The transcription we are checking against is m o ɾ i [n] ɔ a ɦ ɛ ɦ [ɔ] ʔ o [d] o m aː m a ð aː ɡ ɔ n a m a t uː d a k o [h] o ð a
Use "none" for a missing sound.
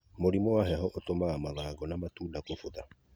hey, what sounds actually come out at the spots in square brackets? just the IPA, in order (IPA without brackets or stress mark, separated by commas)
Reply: m, ɔ, t, f